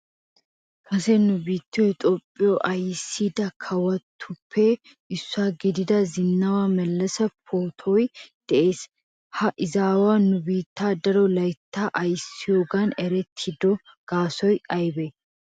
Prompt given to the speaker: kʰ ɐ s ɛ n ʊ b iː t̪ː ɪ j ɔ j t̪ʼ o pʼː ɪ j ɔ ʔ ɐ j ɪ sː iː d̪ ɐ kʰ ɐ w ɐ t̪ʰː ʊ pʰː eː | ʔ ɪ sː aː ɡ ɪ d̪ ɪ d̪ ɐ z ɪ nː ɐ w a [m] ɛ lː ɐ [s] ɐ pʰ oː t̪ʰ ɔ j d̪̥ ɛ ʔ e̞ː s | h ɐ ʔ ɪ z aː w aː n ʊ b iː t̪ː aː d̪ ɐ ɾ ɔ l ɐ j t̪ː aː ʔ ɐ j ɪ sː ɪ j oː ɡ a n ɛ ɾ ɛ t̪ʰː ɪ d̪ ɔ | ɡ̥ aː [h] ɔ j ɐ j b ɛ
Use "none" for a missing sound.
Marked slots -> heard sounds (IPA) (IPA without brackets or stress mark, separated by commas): m, s, s